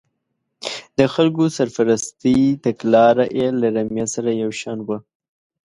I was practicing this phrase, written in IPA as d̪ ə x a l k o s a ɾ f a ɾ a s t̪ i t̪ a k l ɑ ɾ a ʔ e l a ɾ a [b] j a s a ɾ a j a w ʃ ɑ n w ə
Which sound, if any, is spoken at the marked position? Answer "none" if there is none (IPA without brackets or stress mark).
m